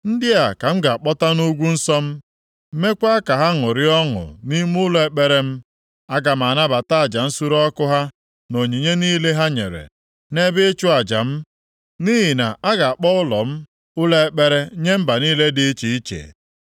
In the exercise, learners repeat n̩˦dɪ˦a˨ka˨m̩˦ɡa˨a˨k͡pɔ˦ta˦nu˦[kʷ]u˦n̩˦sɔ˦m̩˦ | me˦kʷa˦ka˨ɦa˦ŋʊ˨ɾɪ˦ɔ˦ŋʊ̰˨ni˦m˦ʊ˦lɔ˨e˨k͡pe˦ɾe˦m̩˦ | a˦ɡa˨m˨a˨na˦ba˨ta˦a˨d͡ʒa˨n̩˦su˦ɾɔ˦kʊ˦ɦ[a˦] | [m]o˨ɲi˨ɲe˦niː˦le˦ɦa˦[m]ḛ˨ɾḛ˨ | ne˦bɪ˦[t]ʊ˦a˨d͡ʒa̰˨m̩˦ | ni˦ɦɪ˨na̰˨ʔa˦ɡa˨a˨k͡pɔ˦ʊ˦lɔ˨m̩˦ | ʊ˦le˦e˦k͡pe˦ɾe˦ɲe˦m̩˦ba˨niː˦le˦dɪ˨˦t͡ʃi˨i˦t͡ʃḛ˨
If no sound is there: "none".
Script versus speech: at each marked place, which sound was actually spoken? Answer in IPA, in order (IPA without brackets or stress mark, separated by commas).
ɡʷ, a˦, n, ɲ, t͡ʃ